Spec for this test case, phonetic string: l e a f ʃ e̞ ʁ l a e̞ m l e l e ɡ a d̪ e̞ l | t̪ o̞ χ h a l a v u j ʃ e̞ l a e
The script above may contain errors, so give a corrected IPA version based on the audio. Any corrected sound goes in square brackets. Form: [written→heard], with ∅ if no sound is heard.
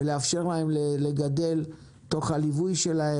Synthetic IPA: l e a f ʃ e̞ ʁ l a e̞ m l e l e ɡ a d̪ e̞ l | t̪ o̞ χ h a l [a→i] v u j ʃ e̞ l a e

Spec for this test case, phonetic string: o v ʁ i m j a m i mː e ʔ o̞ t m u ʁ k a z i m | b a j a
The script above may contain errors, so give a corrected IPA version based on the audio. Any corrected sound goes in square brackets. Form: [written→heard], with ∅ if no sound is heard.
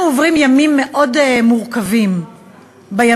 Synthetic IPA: o v ʁ i m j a m i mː e ʔ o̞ [t→d] m u ʁ k a [z→v] i m | b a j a

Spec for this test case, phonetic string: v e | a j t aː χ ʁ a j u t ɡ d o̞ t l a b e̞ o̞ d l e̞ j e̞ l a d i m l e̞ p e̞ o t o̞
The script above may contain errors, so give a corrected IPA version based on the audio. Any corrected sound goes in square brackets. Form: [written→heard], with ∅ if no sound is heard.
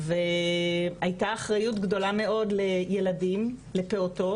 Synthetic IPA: v e | a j t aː χ ʁ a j u t ɡ d o̞ [t→∅] l a [b→m] e̞ o̞ d l e̞ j e̞ l a d i m l e̞ p e̞ o t o̞

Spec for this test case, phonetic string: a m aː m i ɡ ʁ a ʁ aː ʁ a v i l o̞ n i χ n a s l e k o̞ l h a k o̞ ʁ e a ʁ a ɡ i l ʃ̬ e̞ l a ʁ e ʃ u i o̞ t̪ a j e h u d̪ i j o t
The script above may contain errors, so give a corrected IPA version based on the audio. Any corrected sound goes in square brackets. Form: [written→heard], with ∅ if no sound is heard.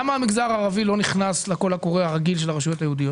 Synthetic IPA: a m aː m i ɡ [ʁ→z] a ʁ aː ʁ a v i l o̞ n i χ n a s l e k o̞ l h a k o̞ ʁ e a ʁ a ɡ i l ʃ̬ e̞ l a ʁ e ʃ u [i→j] o̞ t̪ a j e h u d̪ i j o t

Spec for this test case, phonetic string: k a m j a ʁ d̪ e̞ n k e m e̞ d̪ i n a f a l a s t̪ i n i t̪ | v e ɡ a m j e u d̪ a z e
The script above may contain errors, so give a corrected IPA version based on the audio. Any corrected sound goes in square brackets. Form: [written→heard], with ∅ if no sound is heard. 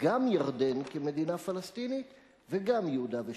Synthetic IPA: [k→ɡ] a m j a ʁ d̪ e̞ n k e m e̞ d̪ i n a f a l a s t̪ i n i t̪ | v e ɡ a m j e u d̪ a [z→v] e

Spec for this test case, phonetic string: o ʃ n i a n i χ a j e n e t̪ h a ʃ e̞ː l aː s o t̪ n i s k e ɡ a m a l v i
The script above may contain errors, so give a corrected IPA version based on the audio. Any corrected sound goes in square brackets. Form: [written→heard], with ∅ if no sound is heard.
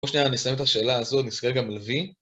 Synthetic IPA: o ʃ n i a n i [χ→s] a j e [n→m] e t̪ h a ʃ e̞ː l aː [s→z] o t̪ n i s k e ɡ a m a l v i

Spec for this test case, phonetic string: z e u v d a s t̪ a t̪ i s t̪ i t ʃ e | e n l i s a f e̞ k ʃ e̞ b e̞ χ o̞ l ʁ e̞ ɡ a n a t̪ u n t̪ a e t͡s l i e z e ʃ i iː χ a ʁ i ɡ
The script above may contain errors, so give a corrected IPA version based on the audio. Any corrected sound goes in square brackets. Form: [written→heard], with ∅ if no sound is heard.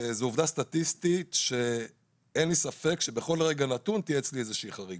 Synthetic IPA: z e u v d a s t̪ a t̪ i s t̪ i t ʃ e | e n l i s a f e̞ k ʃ e̞ b e̞ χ o̞ l ʁ e̞ ɡ a n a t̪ u n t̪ [a→i] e t͡s l i e z e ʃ i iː χ a ʁ i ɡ

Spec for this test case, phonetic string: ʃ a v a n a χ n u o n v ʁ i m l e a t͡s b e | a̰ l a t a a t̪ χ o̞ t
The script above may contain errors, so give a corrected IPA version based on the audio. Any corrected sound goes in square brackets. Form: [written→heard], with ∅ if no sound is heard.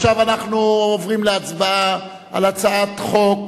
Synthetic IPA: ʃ a v a n a χ n u o [n→∅] v ʁ i m l e a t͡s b [e→a] | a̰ l a [t→t͡s] a a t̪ χ o̞ [t→k]

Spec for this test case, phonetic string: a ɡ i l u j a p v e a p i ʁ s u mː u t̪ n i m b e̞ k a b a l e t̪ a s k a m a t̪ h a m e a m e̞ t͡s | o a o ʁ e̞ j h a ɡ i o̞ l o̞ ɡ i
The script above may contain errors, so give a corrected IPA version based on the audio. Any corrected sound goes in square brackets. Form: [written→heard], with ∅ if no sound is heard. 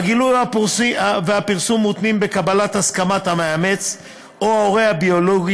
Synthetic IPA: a ɡ i l u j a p v e a p i ʁ s u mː u t̪ n i m b e̞ k a b a l [e→a] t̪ a s k a m a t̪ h a m e a m e̞ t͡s | o a o ʁ e̞ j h a [ɡ→b] i o̞ l o̞ ɡ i

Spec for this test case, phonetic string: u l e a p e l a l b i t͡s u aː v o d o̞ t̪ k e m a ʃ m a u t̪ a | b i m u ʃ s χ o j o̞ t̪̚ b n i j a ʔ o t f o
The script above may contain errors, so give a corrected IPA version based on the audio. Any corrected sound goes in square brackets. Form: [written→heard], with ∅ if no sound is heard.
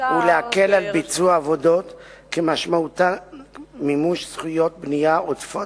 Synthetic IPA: u l e a [p→k] e l a l b i t͡s u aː v o d o̞ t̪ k e m a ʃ m a u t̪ a | [b→m] i m u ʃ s χ [o→u] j o̞ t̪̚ b n i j a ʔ o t f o

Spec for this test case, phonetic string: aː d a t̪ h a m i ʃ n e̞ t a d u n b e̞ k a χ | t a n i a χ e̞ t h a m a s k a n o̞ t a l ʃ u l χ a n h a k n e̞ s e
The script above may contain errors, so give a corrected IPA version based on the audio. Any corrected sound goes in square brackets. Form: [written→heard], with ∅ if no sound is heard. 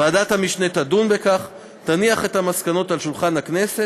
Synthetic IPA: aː d a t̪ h a m i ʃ n e̞ t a d u n b e̞ k a χ | t a n i a χ e̞ t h a m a s k a n o̞ t a l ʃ u l χ a n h a k n e̞ s e

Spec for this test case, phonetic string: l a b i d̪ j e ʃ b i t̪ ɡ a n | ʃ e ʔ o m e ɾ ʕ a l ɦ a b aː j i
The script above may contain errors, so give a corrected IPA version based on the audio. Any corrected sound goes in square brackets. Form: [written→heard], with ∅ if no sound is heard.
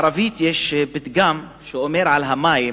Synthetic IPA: [l→ɾ] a [b→v] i [d̪→t̪] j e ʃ b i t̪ ɡ a [n→m] | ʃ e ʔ o m e ɾ ʕ a l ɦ a [b→m] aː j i

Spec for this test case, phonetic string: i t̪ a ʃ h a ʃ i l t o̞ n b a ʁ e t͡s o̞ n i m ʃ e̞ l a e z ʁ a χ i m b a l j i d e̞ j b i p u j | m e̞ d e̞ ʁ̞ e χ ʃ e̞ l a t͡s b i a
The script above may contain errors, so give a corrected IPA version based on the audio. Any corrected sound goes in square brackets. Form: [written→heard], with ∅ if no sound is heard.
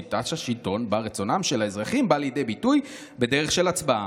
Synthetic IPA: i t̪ a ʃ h a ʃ i l t o̞ n b a ʁ e t͡s o̞ n [i→a] m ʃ e̞ l a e z ʁ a χ i m b a l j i d e̞ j b i [p→t] u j | [m→b] e̞ d e̞ ʁ̞ e χ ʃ e̞ l a t͡s b [i→a] a

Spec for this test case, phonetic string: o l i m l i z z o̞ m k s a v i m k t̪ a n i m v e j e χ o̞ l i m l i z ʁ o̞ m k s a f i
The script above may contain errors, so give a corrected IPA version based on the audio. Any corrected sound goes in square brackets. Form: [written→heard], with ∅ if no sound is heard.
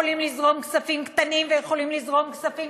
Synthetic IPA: o l i m l i z [z→ʁ] o̞ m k s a [v→f] i m k t̪ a n i m v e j e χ o̞ l i m l i z ʁ o̞ m k s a f i

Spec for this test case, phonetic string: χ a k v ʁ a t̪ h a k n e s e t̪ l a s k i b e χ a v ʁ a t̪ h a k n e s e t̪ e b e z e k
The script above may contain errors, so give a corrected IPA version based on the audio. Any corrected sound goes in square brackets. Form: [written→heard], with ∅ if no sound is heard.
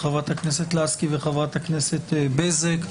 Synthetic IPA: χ a [k→∅] v ʁ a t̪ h a k n e s e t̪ l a s k i [b→v] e χ a v ʁ a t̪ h a k n e s e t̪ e b e z e k

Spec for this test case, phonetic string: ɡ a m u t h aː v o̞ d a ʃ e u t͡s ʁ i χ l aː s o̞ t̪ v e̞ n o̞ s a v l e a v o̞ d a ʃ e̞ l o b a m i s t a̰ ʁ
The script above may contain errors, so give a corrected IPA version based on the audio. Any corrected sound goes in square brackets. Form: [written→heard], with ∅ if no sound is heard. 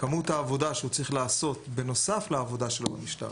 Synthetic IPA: [ɡ→k] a m u t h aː v o̞ d a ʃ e u t͡s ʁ i χ l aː s o̞ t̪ [v→b] e̞ n o̞ s a [v→f] l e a v o̞ d a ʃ e̞ l o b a m i [s→ʃ] t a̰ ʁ

